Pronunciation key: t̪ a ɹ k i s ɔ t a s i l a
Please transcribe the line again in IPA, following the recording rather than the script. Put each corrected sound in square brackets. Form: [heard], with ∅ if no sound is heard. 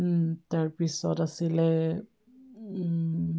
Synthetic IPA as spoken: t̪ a ɹ [p] i s ɔ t a s i l [ɛ]